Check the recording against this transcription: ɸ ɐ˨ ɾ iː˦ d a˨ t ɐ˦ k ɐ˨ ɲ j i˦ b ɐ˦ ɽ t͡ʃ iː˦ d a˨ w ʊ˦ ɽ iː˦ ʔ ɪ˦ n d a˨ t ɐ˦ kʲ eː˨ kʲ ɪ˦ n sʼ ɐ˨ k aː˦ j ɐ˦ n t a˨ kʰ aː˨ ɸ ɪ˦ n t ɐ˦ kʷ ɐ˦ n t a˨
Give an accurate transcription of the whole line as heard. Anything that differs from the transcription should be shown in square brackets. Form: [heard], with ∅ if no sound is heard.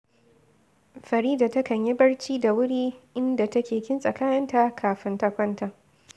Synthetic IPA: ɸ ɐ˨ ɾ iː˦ d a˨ t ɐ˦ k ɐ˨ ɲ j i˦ b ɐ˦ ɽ t͡ʃ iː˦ d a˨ w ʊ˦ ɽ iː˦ ʔ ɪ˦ n d a˨ t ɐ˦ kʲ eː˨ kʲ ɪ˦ n sʼ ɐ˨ k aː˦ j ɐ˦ n t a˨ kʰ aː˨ ɸ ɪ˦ n t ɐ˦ kʷ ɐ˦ n t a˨